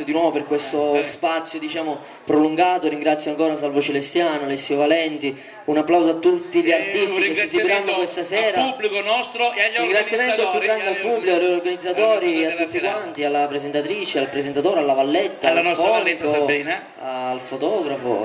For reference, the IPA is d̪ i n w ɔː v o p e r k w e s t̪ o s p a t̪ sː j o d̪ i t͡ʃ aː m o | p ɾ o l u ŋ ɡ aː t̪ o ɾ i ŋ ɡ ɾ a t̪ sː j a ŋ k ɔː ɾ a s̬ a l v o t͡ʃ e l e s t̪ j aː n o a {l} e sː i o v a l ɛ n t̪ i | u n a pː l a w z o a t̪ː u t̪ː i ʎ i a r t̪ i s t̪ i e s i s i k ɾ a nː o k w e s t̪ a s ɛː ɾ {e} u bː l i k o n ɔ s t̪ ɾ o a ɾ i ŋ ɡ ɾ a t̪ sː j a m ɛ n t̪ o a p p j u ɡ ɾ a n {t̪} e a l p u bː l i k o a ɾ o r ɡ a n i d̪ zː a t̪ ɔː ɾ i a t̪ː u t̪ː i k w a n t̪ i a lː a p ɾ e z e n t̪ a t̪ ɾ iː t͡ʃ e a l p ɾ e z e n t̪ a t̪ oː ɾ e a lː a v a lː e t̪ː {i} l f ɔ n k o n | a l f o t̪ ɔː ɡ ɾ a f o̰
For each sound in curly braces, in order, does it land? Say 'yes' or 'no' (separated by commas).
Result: yes, no, no, no